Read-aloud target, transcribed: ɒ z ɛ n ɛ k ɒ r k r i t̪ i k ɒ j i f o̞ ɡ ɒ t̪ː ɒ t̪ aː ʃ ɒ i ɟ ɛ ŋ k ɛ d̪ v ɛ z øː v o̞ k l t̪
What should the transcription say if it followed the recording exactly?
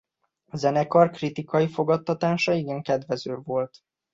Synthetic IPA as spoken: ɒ z ɛ n ɛ k ɒ r k r i t̪ i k ɒ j i f o̞ ɡ ɒ t̪ː ɒ t̪ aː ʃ ɒ i ɡ ɛ ŋ k ɛ d̪ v ɛ z øː v o̞ l t̪